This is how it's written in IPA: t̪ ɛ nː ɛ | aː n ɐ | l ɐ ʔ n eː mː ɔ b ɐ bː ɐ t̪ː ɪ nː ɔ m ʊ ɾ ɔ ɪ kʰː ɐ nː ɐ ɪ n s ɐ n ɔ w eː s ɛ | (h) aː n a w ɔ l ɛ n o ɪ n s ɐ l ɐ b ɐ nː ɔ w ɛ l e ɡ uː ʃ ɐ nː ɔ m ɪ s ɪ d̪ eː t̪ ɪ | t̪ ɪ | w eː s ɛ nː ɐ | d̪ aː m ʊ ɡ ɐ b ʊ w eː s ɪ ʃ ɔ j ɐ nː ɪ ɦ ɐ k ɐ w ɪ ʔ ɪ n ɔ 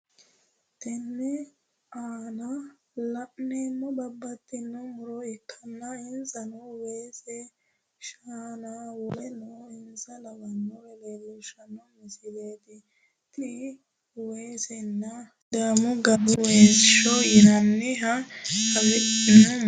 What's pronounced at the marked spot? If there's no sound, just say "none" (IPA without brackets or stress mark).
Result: ʃ